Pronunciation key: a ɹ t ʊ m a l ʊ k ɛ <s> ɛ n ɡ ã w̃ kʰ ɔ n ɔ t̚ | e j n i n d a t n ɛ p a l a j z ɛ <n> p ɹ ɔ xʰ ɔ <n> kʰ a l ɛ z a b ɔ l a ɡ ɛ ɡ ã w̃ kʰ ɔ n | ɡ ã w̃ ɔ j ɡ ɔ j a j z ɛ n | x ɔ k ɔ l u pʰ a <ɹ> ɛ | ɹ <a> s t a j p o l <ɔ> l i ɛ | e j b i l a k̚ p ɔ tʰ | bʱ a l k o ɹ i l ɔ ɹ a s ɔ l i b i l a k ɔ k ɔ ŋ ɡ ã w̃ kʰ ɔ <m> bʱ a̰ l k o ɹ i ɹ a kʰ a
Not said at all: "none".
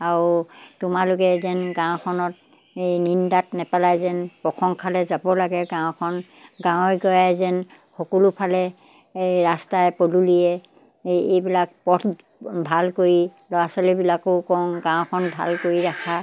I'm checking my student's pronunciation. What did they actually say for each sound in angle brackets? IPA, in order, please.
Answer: z, n, ŋ, l, a, u, n

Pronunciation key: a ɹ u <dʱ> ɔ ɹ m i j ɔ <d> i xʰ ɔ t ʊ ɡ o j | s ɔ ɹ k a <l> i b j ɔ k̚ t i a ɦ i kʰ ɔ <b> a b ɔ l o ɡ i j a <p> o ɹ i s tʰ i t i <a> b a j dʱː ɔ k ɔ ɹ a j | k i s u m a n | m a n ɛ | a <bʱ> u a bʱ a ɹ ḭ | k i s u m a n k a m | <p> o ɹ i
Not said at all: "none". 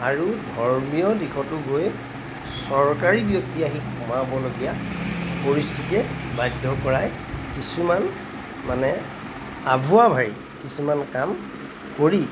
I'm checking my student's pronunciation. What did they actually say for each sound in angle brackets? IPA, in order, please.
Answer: dʱ, d, ɹ, m, p, ɛ, bʱ, k

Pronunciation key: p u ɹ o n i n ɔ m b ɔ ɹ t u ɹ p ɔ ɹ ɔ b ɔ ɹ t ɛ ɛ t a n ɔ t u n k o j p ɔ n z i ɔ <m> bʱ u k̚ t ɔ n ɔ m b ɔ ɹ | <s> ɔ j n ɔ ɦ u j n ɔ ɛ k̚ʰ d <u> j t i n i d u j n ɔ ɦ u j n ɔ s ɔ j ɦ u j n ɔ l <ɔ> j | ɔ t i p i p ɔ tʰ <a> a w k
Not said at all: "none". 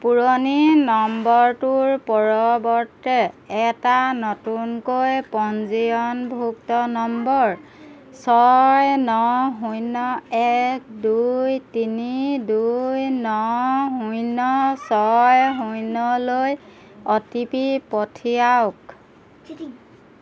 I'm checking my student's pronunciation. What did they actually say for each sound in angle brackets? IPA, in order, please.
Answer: n, s, u, o, i

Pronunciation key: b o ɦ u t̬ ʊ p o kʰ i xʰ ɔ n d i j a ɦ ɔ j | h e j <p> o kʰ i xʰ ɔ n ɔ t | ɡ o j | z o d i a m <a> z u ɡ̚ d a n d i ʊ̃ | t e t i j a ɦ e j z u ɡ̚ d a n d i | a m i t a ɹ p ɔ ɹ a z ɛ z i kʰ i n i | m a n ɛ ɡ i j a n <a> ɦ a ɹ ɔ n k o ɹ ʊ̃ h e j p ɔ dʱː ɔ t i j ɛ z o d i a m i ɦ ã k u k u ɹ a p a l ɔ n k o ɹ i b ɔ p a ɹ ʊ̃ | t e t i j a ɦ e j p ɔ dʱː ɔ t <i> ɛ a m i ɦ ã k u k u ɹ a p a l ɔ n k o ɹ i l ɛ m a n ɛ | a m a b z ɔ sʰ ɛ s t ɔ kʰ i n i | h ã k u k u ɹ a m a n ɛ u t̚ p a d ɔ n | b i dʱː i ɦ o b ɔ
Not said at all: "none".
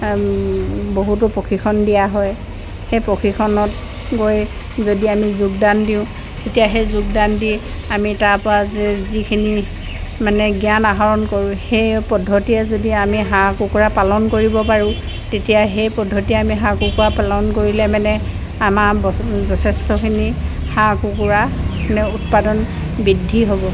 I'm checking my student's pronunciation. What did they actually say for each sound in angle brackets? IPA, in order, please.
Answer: p, i, a, i

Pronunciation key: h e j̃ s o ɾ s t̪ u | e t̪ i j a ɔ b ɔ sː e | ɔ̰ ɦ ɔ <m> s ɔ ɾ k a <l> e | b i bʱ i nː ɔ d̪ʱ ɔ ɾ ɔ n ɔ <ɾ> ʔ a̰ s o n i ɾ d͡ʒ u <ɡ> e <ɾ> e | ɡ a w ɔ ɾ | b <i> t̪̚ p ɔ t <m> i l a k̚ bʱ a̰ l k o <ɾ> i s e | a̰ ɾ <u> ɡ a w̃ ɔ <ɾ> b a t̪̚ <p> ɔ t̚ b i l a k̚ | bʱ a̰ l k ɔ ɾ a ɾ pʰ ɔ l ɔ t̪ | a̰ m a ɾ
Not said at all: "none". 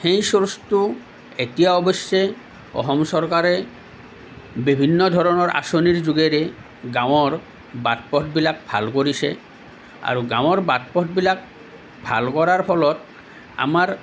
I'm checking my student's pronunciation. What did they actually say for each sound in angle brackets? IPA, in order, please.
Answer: m, ɾ, ɾ, ɡ, ɾ, a, b, ɾ, u, ɾ, p

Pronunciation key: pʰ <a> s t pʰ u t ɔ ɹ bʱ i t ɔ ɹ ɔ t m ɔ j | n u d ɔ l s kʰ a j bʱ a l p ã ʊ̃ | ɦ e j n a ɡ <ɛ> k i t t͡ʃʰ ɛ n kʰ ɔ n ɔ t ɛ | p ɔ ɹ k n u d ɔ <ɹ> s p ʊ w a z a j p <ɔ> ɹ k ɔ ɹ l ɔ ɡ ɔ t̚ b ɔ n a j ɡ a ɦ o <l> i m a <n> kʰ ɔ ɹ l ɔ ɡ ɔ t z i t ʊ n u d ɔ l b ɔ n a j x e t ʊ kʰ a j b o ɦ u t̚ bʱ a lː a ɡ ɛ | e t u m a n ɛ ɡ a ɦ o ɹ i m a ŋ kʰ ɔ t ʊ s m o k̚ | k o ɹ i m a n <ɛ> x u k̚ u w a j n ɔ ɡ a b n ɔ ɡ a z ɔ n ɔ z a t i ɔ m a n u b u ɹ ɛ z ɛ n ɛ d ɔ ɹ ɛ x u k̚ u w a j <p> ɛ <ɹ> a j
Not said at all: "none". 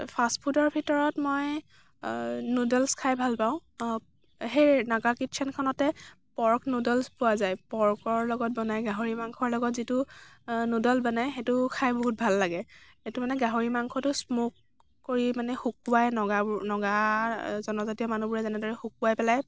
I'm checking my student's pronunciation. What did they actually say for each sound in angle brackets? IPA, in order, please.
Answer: a, a, l, ɔ, ɹ, ŋ, ɛ, p, l

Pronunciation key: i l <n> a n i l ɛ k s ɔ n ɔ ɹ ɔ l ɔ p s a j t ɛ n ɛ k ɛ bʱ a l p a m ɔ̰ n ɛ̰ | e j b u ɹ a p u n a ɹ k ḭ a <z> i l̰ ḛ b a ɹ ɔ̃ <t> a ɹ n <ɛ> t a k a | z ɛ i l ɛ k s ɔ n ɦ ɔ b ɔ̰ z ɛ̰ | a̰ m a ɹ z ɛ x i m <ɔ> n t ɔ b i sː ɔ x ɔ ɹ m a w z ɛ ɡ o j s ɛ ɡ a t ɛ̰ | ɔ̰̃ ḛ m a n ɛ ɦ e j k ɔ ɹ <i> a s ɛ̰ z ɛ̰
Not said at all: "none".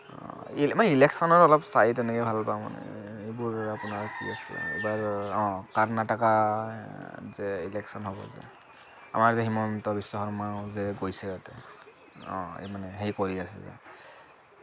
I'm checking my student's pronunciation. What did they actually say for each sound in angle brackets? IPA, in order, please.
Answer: m, s, k, a, ɔ, i

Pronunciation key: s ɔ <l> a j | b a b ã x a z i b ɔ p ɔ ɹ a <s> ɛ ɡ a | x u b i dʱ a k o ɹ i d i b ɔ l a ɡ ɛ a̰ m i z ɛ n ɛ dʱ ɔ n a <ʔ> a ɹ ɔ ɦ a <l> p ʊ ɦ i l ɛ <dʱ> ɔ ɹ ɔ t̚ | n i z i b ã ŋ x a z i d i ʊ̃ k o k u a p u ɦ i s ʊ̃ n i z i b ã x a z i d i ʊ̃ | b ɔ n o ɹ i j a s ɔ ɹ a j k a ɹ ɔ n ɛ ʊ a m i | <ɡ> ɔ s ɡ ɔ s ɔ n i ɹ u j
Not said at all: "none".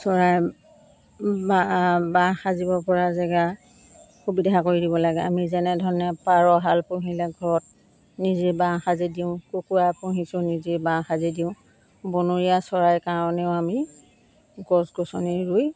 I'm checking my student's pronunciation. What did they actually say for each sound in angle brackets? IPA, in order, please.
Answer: ɹ, z, p, l, ɡʱ, ɡ

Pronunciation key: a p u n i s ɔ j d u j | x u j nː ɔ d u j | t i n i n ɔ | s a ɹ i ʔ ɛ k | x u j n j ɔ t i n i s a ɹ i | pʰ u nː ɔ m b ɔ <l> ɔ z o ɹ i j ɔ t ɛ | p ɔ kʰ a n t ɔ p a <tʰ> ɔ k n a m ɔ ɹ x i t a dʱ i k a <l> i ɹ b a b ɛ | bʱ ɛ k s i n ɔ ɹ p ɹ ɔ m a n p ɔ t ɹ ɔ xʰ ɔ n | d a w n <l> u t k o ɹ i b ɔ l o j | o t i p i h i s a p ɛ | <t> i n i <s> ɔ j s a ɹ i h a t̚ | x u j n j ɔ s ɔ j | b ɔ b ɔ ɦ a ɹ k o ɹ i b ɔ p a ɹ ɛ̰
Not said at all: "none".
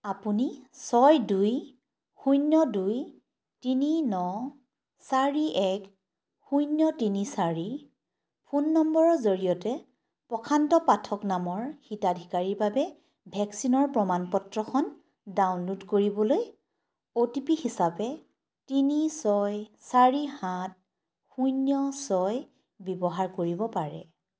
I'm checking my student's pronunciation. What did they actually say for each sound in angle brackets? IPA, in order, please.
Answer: ɹ, tʰ, ɹ, l, t, s

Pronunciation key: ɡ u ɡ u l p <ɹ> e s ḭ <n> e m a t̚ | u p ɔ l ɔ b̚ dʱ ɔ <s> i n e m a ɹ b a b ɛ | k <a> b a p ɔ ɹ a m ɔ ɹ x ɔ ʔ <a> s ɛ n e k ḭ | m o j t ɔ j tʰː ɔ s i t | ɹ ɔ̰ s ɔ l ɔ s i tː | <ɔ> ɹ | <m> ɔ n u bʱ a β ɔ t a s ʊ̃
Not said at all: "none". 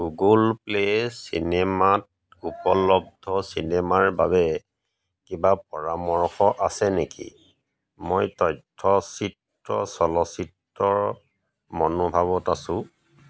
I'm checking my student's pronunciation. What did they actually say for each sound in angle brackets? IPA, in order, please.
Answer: l, n, s, i, a, ɔ, m

